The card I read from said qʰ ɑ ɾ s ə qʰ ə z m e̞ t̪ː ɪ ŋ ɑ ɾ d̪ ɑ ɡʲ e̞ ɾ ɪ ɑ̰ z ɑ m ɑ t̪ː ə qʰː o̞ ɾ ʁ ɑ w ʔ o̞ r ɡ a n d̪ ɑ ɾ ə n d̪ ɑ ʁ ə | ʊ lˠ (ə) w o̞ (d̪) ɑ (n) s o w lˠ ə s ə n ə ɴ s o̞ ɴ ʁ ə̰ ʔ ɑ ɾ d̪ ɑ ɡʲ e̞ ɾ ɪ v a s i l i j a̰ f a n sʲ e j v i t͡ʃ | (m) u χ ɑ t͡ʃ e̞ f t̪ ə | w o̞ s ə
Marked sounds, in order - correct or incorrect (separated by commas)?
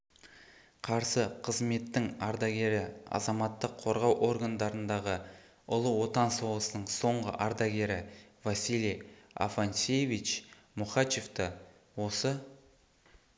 correct, incorrect, correct, correct